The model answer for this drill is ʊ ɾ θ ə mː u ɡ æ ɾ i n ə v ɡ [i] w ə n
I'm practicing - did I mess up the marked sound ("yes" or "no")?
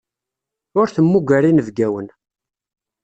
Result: yes